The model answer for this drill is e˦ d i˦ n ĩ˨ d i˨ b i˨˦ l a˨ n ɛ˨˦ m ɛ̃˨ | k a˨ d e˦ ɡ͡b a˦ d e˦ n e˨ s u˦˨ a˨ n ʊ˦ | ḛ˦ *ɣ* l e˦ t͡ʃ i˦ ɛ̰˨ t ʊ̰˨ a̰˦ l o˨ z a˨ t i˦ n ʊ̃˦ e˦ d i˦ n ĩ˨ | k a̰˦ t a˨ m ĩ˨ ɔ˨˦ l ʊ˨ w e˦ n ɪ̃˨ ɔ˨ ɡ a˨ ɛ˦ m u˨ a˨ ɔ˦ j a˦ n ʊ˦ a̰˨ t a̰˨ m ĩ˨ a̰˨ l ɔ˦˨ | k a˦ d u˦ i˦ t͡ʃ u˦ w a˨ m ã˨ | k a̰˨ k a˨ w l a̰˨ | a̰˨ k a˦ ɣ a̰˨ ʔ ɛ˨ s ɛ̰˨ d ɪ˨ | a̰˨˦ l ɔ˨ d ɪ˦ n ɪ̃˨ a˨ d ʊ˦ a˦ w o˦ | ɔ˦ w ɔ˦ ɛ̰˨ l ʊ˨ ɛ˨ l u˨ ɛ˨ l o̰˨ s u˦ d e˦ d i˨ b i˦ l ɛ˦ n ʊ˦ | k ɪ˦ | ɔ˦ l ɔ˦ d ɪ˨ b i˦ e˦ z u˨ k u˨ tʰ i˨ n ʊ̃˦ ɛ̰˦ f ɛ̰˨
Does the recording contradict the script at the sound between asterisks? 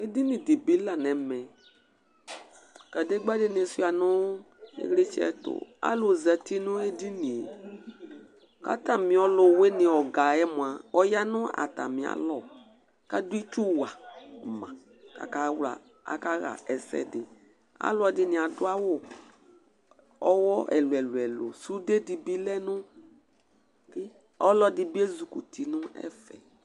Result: no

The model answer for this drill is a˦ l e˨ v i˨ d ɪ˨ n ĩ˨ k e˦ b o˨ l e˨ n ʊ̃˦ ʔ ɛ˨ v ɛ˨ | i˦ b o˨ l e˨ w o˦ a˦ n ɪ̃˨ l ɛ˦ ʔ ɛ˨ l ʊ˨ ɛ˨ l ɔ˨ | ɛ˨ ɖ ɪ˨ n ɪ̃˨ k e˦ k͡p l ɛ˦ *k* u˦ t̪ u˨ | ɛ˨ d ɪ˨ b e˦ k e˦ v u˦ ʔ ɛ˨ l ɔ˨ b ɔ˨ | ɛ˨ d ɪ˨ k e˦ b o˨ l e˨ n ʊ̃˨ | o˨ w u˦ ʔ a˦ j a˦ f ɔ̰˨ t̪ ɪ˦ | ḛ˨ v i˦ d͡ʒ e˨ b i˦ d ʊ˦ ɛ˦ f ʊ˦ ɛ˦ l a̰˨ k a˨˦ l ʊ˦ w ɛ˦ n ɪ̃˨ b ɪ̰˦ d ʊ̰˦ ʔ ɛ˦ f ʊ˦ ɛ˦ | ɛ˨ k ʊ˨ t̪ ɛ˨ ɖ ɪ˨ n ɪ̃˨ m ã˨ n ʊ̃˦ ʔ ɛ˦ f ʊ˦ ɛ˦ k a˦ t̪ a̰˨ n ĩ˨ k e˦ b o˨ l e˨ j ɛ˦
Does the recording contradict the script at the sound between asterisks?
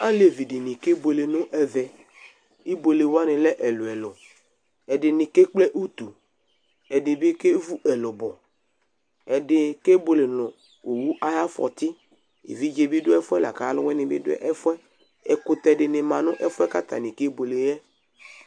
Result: yes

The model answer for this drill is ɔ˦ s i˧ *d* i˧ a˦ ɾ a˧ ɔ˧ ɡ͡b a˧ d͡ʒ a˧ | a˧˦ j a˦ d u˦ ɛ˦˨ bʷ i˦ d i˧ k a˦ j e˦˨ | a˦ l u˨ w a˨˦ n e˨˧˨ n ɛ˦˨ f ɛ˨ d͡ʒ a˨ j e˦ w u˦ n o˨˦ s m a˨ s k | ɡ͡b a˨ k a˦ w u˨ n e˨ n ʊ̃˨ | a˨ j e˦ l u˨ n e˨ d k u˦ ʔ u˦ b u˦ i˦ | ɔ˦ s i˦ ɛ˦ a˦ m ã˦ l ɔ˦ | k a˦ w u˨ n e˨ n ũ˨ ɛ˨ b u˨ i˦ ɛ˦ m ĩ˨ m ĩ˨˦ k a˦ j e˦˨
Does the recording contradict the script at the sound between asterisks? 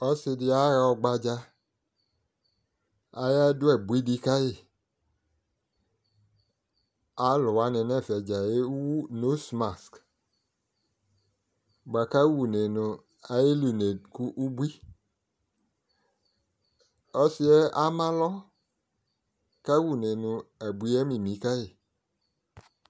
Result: no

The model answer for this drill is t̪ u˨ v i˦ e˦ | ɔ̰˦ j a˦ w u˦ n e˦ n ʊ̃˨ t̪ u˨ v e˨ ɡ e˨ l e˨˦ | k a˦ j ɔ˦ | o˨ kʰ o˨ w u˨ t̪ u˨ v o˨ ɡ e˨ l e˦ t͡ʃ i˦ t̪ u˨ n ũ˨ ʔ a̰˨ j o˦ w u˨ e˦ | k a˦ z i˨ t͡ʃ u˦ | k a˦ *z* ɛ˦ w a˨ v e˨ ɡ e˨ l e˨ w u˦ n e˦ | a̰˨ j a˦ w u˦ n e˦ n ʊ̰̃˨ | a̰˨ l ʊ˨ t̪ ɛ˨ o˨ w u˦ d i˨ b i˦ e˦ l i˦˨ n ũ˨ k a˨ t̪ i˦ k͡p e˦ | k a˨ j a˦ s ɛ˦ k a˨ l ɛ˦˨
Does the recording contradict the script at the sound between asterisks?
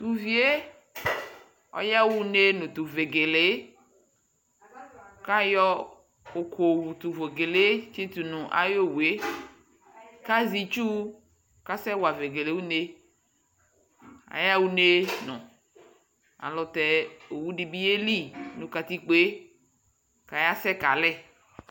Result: yes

